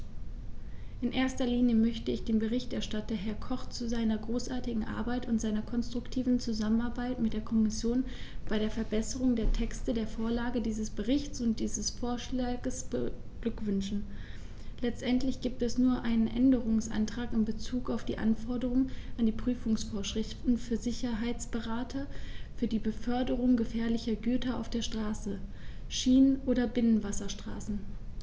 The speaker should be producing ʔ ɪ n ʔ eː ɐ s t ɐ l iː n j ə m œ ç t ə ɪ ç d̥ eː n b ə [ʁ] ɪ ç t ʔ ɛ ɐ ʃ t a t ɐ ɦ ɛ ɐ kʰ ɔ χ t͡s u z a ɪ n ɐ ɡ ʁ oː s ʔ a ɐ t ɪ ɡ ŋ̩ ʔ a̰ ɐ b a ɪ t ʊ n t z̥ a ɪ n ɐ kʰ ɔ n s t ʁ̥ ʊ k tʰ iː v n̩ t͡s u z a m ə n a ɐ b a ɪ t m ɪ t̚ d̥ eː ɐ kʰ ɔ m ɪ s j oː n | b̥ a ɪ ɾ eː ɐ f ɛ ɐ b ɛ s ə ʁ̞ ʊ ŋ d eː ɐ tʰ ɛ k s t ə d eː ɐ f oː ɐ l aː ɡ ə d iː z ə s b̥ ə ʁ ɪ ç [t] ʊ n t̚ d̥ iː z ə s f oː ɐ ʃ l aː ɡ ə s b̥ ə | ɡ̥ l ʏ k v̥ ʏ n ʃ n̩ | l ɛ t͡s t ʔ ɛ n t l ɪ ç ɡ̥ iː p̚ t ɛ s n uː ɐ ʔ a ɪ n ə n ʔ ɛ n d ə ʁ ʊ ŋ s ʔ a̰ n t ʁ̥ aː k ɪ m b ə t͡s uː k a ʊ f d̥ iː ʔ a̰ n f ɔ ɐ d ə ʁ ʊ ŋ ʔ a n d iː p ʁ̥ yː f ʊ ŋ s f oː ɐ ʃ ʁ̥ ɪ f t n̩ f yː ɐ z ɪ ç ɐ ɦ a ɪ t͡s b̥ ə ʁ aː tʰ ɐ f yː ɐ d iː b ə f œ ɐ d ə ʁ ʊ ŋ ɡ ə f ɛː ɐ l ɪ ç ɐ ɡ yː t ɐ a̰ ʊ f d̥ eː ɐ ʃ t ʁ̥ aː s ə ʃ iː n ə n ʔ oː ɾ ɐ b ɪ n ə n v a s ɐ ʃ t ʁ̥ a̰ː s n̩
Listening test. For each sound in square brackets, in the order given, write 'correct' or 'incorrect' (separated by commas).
correct, incorrect